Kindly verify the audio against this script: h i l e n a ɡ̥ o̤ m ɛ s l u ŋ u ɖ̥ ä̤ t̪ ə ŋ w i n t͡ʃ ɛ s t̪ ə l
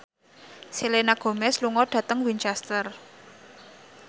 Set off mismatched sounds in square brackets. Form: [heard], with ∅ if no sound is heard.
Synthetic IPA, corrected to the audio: [s] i l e n a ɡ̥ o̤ m ɛ s l u ŋ [ɔ] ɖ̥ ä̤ t̪ ə ŋ w i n t͡ʃ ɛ s t̪ ə [r]